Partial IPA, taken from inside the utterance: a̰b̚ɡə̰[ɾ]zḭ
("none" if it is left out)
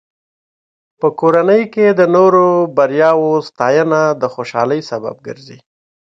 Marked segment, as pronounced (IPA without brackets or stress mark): ɾ